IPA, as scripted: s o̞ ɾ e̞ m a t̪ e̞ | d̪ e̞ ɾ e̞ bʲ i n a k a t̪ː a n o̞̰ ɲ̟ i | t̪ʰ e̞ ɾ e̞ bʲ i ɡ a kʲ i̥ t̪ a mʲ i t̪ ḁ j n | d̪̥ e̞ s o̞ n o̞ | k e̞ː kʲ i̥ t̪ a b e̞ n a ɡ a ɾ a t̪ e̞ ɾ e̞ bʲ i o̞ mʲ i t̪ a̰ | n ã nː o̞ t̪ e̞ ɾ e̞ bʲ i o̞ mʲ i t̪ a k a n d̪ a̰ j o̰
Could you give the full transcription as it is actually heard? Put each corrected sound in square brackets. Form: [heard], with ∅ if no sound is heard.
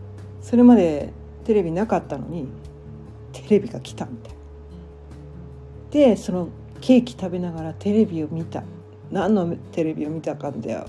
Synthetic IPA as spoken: s o̞ ɾ e̞ m a [d̪] e̞ | [t̪] e̞ ɾ e̞ bʲ i n a k a t̪ː a n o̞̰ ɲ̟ i | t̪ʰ e̞ ɾ e̞ bʲ i ɡ a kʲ i̥ t̪ a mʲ i t̪ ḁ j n | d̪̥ e̞ s o̞ n o̞ | k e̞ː kʲ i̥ t̪ a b e̞ n a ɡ a ɾ a t̪ e̞ ɾ e̞ bʲ i o̞ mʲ i t̪ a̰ | n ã nː o̞ t̪ e̞ ɾ e̞ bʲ i o̞ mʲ i t̪ a k a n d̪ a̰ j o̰